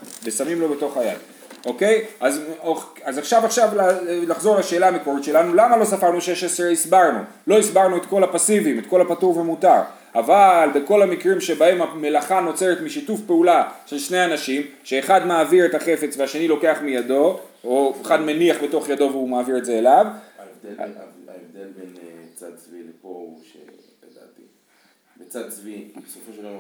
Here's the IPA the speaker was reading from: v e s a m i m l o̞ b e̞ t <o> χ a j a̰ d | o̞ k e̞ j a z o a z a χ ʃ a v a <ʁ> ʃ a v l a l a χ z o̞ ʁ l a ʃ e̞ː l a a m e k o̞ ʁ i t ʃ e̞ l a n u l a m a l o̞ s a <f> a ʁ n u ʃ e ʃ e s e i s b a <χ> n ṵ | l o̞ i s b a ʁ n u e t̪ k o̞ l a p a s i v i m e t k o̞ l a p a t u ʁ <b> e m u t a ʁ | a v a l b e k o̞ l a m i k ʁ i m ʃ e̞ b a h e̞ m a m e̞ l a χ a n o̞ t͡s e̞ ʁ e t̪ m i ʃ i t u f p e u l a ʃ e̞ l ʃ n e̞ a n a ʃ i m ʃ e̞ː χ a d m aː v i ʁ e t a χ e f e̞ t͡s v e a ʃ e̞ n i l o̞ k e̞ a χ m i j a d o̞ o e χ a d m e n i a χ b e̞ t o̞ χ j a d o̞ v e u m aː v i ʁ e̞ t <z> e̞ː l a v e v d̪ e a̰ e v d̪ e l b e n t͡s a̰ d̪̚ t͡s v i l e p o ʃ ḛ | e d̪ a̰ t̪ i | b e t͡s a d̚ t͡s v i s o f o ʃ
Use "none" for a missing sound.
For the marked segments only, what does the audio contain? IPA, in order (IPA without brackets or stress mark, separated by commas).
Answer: o, χ, f, ʁ, v, z